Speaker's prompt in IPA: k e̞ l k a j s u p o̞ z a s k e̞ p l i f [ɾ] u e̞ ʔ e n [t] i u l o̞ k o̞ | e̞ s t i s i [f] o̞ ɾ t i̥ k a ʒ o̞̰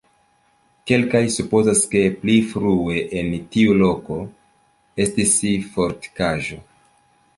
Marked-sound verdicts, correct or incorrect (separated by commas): correct, correct, correct